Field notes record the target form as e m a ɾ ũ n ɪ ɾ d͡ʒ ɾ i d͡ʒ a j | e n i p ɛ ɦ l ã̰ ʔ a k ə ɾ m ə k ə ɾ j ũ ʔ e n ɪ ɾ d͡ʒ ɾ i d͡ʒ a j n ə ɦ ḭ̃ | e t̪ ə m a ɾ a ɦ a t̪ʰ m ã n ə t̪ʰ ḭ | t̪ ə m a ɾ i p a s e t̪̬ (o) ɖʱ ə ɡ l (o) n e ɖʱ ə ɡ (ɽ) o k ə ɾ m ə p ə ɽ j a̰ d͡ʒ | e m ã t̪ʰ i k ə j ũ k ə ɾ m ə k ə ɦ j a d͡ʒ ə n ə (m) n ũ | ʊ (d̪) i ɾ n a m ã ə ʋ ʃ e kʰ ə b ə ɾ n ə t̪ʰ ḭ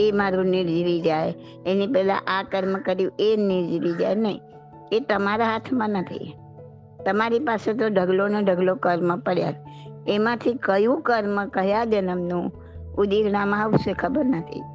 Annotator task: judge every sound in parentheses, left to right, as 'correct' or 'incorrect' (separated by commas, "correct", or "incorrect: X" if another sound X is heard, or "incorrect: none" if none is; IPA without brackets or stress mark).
correct, correct, incorrect: l, correct, correct